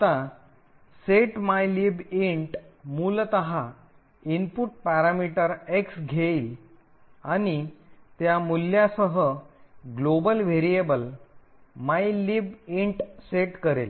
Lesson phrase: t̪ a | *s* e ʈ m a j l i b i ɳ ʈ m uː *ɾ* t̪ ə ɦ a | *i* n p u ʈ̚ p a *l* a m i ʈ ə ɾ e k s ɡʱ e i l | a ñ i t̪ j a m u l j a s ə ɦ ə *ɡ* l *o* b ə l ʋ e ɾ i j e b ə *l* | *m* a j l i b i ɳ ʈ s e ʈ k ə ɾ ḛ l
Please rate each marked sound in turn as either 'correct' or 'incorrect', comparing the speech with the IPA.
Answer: correct, incorrect, correct, incorrect, correct, correct, correct, correct

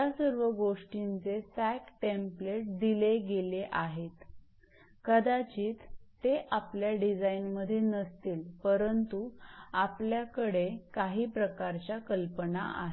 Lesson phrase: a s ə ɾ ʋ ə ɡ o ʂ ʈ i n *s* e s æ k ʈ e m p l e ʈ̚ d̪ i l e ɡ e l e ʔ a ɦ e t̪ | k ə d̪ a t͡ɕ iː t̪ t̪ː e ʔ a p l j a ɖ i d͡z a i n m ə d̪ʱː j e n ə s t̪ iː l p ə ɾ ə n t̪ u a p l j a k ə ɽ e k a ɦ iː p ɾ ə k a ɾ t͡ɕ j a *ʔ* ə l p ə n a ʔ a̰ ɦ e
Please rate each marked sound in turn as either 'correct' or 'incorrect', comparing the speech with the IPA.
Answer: incorrect, incorrect

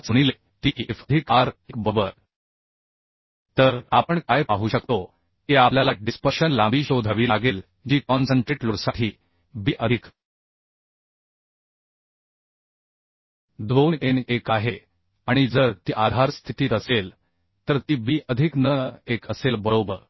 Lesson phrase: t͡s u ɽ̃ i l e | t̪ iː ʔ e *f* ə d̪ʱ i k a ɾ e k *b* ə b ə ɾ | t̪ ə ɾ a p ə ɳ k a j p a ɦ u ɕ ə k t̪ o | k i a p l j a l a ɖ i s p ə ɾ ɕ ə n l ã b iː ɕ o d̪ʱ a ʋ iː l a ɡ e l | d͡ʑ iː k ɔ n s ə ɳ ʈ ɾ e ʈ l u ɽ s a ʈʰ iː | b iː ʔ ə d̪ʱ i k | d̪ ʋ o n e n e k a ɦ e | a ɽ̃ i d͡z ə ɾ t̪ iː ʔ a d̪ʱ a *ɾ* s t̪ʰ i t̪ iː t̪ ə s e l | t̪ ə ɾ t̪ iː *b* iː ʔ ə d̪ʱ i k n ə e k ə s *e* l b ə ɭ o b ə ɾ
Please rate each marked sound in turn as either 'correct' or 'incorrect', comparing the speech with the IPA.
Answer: correct, correct, correct, correct, correct

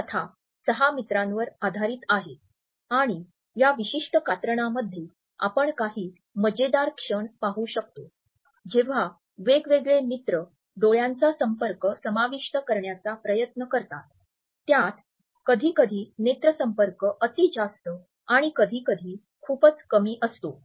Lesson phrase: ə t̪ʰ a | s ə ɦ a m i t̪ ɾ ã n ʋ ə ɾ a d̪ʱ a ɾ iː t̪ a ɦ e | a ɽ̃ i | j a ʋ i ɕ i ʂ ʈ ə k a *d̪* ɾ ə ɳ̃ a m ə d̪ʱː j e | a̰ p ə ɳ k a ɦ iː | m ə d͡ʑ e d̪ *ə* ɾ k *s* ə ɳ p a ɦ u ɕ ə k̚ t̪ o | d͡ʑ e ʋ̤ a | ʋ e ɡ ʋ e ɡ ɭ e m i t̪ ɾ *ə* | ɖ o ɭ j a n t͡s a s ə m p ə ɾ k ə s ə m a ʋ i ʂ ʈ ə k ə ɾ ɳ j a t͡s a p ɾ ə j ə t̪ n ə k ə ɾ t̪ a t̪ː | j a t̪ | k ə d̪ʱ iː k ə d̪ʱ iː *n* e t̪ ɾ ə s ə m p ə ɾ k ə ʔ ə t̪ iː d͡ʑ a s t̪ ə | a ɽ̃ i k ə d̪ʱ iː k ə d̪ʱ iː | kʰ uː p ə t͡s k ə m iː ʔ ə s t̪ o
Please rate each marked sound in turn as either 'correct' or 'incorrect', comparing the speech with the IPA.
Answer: incorrect, incorrect, incorrect, correct, correct

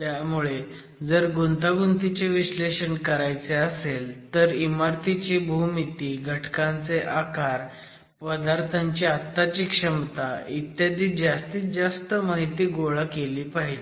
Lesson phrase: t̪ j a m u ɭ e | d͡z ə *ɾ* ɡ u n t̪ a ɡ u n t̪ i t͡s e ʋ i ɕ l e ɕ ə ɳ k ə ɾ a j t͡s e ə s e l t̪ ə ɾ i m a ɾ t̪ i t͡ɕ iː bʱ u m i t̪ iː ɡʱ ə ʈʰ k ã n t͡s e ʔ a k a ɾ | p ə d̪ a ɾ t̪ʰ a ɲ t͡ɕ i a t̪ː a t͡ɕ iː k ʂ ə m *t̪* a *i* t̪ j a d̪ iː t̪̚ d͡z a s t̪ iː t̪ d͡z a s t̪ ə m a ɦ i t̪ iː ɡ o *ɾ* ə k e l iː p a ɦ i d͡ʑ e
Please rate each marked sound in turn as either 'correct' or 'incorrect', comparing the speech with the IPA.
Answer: correct, correct, correct, incorrect

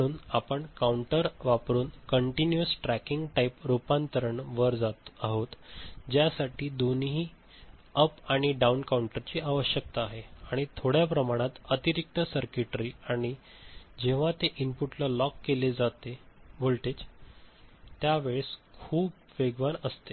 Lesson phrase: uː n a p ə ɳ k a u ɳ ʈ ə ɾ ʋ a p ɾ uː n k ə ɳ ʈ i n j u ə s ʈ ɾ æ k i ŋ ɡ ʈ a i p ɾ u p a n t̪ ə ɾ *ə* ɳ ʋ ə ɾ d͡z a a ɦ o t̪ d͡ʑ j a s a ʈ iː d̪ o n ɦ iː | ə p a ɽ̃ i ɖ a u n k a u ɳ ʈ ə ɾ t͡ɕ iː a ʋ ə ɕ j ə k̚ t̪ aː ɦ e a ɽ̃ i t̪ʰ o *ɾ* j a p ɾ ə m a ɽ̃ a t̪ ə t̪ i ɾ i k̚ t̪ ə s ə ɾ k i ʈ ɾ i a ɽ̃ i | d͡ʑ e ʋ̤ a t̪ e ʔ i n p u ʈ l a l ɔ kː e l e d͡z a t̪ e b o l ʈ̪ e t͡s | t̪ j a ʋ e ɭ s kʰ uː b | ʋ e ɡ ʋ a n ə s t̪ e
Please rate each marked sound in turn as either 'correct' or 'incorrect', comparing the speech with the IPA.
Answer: correct, incorrect

